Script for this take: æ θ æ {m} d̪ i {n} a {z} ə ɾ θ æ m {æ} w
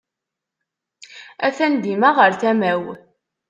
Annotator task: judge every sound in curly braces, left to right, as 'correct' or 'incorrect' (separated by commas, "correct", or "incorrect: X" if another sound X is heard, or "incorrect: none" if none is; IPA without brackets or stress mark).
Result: incorrect: n, incorrect: m, incorrect: ʁ, correct